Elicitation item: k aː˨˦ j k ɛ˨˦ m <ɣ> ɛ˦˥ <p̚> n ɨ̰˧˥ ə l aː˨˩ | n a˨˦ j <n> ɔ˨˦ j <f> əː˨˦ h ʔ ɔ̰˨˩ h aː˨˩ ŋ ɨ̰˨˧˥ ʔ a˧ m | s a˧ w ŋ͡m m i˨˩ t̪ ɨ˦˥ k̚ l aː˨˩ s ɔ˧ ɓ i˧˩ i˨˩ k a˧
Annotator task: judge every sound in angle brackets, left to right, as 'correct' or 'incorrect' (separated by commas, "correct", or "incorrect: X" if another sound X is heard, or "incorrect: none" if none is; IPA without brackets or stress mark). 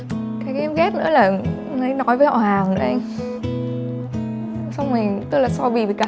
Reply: correct, incorrect: t̚, correct, incorrect: v